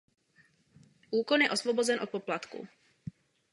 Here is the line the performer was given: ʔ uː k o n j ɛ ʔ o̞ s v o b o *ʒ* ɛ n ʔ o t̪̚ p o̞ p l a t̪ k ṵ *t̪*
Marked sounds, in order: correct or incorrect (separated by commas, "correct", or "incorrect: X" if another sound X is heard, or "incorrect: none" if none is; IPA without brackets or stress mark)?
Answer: incorrect: z, incorrect: none